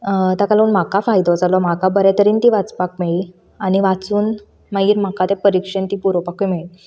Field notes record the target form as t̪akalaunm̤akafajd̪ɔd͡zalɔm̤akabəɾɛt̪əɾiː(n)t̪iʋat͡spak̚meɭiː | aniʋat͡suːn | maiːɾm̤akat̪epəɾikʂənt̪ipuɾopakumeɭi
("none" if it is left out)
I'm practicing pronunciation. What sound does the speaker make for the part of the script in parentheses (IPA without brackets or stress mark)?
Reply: n